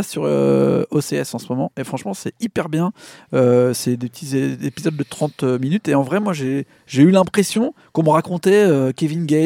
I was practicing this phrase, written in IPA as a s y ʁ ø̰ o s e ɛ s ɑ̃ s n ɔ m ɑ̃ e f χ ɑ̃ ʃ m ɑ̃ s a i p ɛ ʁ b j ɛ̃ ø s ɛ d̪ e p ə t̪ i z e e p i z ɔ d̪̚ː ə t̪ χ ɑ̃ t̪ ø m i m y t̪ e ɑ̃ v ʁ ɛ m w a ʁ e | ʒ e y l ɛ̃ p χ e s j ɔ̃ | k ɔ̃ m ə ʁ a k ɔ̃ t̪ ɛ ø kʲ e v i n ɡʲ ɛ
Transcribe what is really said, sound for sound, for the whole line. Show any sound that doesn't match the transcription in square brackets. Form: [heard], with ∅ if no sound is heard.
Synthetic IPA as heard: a s y ʁ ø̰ o s e ɛ s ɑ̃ s [m] ɔ m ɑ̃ e f χ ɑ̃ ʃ m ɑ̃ s [ɛ] i p ɛ ʁ b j ɛ̃ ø s ɛ d̪ e p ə t̪ i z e e p i z ɔ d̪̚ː ə t̪ χ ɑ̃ t̪ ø m i [n] y t̪ e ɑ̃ v ʁ ɛ m w a [ʒ] e | ʒ e y l ɛ̃ p χ e s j ɔ̃ | k ɔ̃ m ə ʁ a k ɔ̃ t̪ ɛ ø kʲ e v i n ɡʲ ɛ